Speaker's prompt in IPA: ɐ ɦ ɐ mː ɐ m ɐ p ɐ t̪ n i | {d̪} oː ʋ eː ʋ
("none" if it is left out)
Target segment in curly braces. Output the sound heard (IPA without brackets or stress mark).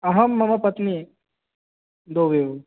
d̪